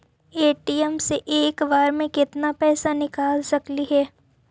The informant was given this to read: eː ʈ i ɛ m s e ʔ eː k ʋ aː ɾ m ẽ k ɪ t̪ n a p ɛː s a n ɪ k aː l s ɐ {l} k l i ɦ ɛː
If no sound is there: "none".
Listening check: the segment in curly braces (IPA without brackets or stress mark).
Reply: none